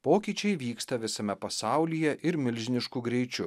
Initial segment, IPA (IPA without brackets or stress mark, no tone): p